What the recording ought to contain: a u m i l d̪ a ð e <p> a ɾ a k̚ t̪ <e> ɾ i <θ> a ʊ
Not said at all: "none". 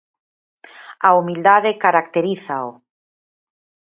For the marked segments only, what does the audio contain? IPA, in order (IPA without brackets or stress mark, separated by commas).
k, e, θ